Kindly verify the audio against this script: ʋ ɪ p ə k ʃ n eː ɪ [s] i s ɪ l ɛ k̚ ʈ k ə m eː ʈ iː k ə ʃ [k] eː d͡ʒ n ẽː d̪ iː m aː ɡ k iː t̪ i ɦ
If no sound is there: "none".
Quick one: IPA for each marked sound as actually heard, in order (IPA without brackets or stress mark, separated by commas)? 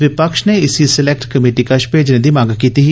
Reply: s, p